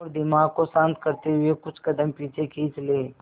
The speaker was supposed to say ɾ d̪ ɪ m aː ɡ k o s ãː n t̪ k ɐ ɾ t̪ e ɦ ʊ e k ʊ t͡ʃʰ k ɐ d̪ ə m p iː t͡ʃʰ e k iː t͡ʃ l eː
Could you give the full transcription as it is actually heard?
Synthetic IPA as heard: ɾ d̪ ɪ m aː ɡ k o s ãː n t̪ k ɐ ɾ t̪ e ɦ ʊ e k ʊ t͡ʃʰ k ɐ d̪ ə m p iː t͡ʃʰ e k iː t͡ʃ l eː